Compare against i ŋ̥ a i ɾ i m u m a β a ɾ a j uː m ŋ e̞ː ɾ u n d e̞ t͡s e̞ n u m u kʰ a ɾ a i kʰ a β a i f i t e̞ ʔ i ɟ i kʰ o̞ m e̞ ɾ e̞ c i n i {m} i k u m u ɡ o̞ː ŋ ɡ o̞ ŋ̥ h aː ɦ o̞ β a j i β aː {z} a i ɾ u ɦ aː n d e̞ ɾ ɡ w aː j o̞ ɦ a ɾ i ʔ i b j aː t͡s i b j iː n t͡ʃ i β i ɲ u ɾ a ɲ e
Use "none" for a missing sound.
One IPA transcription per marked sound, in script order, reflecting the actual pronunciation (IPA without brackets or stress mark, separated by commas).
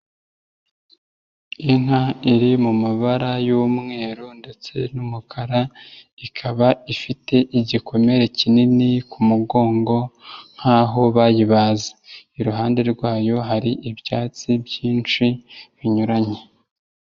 n, z